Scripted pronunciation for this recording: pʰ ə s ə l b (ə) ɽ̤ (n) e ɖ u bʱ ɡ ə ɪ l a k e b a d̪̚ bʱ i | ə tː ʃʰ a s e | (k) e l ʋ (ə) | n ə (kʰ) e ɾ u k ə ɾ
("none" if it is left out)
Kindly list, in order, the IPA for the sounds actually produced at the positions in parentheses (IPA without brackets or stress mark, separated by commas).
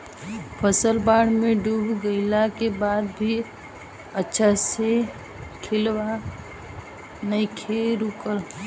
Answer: a, m, kʰ, a, kʰ